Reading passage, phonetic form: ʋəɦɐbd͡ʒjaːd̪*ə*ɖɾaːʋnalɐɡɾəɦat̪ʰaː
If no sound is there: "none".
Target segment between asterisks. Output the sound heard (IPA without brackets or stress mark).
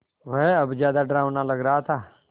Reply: a